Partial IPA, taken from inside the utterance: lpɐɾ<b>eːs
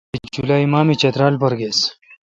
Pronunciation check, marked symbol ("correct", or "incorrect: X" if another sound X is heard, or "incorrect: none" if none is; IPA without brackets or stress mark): incorrect: ɡ